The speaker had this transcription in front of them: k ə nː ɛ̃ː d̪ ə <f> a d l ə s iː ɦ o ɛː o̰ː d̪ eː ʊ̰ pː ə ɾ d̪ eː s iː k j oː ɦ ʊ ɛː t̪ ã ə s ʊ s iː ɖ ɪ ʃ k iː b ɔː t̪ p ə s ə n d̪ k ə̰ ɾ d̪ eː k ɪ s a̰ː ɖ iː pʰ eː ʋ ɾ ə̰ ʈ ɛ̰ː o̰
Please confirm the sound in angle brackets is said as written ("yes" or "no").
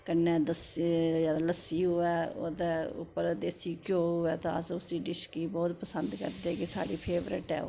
no